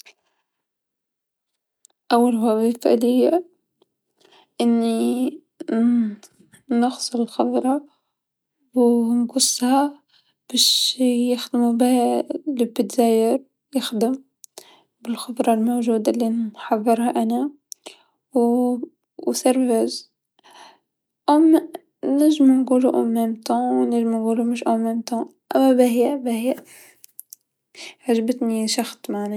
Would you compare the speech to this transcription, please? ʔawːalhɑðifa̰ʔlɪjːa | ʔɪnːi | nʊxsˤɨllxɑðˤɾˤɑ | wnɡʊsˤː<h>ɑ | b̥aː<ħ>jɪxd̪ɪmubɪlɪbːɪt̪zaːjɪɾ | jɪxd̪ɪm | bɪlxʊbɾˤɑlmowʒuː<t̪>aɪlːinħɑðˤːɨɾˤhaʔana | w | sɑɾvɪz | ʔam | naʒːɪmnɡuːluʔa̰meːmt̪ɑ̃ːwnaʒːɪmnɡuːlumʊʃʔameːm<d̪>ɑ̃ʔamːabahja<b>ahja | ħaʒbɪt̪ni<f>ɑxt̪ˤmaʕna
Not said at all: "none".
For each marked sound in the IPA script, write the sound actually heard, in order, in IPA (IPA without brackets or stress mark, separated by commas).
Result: h, ʃ, d̪, t̪, b, ʃ